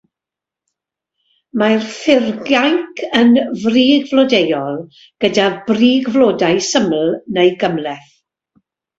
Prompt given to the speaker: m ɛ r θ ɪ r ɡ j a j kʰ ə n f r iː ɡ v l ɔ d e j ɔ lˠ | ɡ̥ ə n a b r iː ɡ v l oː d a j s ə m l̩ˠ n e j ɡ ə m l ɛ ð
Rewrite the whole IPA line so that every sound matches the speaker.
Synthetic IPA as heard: m a r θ ɪ r ɡ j a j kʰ ə n v r iː ɡ v l ɔ d e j ɔ lˠ | ɡ̥ ə d a b r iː ɡ v l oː d a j s ə m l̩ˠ n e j ɡ ə m l ɛ θ